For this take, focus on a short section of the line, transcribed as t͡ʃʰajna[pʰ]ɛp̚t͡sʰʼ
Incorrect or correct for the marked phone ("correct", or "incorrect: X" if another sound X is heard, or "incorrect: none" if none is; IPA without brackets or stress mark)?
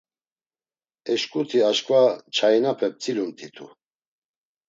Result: correct